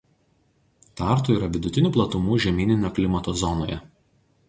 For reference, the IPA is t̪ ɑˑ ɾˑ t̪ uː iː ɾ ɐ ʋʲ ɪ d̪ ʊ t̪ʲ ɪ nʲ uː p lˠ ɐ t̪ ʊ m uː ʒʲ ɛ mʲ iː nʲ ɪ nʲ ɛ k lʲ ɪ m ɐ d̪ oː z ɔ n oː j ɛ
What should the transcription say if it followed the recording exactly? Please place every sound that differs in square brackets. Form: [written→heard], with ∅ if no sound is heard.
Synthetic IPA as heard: t̪ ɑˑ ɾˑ t̪ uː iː ɾ ɐ ʋʲ ɪ d̪ ʊ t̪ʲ ɪ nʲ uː p lˠ ɐ t̪ ʊ m uː ʒʲ ɛ mʲ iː nʲ ɪ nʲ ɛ k lʲ ɪ m ɐ [d̪→t̪] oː z ɔ n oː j ɛ